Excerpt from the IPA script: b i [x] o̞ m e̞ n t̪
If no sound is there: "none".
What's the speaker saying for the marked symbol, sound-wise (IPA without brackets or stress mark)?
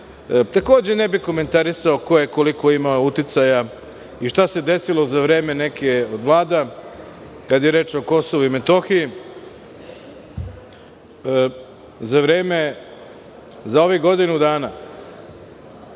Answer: k